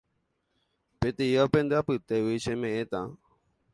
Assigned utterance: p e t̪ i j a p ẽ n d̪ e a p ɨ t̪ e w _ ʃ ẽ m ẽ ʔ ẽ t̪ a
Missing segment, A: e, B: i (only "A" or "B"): B